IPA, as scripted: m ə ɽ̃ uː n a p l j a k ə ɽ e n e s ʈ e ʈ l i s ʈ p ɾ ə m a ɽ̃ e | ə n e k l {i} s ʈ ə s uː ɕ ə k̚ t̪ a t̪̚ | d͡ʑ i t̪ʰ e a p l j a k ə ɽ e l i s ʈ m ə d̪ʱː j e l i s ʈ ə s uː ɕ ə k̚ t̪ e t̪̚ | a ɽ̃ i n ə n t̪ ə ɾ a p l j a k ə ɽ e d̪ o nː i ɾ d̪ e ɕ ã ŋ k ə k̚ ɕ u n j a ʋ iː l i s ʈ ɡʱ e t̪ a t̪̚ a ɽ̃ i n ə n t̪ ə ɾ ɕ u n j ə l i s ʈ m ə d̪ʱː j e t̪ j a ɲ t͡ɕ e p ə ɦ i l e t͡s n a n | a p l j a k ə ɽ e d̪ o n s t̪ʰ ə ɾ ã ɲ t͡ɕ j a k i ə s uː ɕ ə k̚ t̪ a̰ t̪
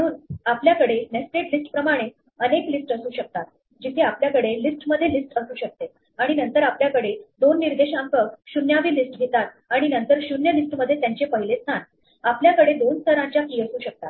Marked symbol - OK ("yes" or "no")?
yes